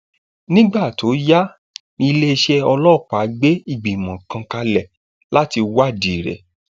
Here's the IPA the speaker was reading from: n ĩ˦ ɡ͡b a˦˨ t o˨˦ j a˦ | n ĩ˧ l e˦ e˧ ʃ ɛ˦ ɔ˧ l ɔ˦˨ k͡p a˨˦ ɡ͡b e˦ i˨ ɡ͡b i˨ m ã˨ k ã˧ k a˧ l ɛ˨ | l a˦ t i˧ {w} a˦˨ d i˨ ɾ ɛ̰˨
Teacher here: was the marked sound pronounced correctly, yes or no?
yes